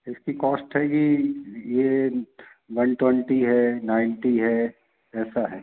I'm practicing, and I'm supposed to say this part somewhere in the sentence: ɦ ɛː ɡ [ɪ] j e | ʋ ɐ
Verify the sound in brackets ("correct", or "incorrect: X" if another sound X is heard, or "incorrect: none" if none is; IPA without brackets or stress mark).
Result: incorrect: i